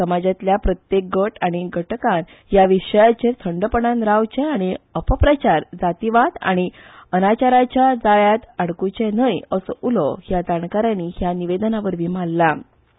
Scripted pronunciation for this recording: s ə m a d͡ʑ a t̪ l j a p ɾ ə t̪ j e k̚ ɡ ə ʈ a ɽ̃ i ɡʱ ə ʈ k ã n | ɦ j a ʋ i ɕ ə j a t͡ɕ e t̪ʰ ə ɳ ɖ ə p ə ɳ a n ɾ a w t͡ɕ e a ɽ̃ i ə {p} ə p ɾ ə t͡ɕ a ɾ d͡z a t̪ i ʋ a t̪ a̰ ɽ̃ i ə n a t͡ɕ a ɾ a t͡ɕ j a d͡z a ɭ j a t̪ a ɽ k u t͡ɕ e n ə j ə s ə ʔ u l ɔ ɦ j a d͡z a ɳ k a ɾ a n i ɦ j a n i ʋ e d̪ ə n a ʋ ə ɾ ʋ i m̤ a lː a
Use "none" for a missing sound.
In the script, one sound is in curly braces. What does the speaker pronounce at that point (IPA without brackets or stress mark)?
p